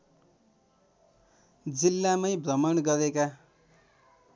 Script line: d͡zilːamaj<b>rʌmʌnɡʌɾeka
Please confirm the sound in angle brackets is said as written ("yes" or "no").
yes